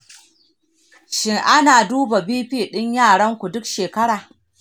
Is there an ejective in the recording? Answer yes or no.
no